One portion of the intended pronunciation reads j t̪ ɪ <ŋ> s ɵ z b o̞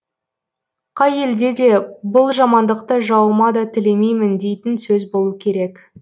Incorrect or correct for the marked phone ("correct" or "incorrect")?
incorrect